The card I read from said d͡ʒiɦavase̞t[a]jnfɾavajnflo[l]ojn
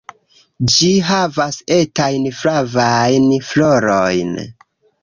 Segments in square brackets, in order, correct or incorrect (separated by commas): correct, incorrect